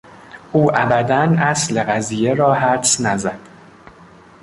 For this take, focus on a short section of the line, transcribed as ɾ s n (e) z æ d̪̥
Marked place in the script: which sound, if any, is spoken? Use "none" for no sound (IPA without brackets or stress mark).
æ